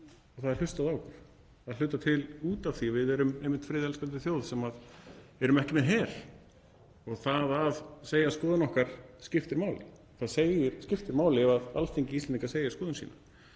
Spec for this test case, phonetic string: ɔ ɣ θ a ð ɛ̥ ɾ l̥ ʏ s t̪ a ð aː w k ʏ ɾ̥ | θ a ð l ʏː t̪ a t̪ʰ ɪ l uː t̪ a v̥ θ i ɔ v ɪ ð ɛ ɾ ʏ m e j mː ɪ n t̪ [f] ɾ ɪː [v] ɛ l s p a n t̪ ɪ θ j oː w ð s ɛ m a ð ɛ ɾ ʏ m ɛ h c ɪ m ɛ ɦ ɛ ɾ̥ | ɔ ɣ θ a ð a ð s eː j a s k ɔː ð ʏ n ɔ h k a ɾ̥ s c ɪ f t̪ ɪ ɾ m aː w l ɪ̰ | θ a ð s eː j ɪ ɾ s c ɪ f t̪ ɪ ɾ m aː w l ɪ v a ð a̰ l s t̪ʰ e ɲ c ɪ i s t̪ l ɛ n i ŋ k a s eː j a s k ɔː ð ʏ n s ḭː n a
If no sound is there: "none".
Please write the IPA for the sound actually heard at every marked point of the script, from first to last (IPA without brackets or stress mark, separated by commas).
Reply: f, ð